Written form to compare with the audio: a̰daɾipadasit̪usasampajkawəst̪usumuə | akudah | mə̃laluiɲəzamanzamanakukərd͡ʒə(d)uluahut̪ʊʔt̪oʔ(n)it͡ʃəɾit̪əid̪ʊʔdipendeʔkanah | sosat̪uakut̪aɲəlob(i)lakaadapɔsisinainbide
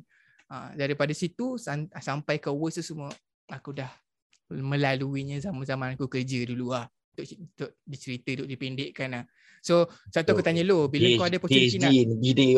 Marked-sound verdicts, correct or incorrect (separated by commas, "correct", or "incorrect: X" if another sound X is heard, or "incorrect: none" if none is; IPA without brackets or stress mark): correct, incorrect: d, correct